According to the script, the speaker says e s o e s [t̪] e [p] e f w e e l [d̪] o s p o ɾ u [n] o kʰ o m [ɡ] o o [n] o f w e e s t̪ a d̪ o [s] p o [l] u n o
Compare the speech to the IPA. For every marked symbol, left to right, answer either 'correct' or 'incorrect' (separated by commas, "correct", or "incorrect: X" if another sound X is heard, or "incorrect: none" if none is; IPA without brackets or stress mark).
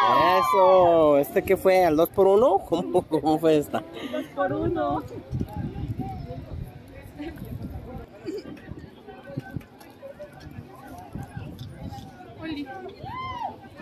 correct, incorrect: k, correct, correct, incorrect: k, incorrect: m, correct, incorrect: ɾ